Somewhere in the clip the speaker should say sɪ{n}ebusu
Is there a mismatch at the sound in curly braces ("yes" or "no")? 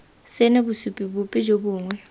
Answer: no